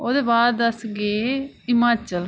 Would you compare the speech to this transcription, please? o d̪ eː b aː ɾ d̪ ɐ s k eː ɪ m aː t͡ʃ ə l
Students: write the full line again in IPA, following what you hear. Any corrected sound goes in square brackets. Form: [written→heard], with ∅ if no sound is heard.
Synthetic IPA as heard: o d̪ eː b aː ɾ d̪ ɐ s [k→ɡ] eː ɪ m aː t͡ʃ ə l

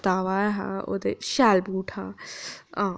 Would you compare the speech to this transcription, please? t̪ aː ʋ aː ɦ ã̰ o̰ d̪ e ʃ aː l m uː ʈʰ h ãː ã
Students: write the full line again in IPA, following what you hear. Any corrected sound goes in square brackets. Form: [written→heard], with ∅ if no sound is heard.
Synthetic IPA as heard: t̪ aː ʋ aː ɦ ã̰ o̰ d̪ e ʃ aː l [m→b] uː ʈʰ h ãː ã

